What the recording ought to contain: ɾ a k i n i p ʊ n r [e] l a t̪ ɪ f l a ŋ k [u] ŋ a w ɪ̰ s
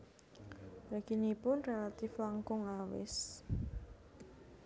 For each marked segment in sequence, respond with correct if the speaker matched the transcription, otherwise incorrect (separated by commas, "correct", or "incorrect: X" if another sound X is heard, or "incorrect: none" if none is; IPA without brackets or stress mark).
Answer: correct, incorrect: ʊ